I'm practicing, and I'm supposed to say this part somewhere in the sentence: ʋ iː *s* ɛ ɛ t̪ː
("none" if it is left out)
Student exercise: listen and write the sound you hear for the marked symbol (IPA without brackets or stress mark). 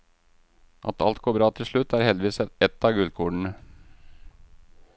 s